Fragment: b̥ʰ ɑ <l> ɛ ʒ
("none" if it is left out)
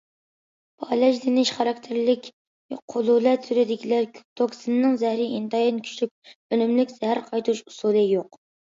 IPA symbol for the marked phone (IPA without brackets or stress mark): l